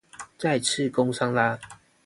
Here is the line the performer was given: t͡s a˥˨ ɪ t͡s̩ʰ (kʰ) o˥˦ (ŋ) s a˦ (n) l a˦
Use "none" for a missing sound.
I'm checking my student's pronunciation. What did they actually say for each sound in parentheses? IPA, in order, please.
k, ŋ, ŋ

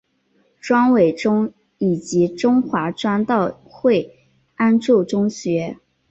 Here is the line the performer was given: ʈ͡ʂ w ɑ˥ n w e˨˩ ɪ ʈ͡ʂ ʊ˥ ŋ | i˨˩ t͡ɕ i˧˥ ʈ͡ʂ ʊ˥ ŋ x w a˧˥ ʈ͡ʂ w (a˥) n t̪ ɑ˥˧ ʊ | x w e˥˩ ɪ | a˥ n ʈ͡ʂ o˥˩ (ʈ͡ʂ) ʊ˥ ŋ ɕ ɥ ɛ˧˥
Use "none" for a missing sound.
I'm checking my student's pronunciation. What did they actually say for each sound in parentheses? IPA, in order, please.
a˥, ʈ͡ʂ

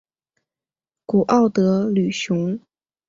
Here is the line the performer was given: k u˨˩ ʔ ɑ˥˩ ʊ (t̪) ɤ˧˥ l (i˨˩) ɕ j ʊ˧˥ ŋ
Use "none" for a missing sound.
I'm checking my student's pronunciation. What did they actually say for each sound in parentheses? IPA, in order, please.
t̪, y˨˩

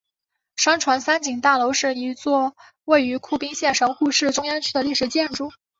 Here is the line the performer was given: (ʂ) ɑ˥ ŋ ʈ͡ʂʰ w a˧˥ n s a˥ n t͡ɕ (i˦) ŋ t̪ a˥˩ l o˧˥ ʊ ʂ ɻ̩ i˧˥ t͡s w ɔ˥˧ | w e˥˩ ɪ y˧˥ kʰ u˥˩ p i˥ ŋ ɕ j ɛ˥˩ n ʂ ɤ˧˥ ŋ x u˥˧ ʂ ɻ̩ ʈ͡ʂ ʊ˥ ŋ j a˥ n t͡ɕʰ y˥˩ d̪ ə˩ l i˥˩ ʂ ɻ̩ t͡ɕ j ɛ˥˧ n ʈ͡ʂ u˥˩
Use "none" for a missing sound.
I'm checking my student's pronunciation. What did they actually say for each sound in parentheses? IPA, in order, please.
ʂ, i˨˩

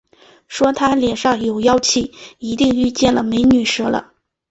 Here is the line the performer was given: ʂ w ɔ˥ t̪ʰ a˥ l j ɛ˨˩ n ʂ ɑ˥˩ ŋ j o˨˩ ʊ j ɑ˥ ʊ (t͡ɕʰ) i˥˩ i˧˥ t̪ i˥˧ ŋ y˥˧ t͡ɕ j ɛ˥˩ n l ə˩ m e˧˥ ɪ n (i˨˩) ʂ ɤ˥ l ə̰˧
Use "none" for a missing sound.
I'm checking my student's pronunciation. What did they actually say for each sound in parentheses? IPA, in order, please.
t͡ɕʰ, y˨˩

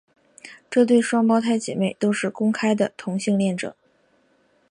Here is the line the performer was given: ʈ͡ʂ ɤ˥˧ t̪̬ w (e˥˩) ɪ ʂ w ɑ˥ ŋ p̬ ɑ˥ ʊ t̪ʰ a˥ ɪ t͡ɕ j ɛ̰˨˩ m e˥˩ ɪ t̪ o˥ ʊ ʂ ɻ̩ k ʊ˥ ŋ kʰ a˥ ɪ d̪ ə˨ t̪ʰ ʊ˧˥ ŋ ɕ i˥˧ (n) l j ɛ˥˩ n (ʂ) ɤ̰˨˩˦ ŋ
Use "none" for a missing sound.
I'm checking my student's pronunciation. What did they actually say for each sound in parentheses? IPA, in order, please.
e˥˩, ŋ, ʈ͡ʂ

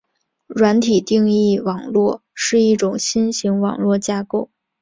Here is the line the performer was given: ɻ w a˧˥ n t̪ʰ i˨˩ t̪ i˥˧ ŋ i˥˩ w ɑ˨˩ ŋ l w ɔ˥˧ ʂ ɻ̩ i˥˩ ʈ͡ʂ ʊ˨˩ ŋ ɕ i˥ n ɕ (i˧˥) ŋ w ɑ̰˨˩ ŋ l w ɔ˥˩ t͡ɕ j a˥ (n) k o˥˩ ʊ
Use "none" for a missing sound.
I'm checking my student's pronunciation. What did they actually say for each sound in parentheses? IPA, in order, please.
i˧˥, none

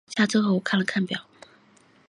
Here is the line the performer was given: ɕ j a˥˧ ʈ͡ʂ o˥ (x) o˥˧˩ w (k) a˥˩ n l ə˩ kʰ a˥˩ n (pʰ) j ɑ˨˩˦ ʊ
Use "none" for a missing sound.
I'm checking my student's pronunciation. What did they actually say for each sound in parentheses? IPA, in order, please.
x, kʰ, p

